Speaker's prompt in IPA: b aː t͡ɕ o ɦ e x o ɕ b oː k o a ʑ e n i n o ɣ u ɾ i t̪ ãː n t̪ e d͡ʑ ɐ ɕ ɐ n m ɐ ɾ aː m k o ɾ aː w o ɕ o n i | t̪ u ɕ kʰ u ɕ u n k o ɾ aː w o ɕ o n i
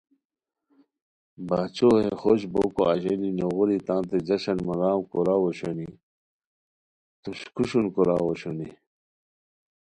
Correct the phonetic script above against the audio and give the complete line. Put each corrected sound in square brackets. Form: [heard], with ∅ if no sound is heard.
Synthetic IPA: b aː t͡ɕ o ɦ e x o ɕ b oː k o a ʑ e n i n o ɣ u ɾ i t̪ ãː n t̪ e d͡ʑ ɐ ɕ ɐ n m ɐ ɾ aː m k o ɾ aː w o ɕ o n i | t̪ u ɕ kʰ u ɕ u n k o ɾ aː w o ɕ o n i